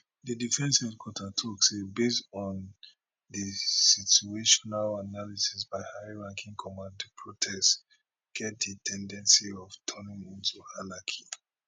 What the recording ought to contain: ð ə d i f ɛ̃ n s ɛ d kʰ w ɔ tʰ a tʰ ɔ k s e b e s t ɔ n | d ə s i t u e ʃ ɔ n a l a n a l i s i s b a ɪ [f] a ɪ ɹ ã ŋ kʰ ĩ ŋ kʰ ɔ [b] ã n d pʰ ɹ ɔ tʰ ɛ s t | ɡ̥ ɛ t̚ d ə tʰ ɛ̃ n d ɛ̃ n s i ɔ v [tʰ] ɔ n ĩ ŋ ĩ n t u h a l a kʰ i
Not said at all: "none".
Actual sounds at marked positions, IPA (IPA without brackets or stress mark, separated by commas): h, m, tʰ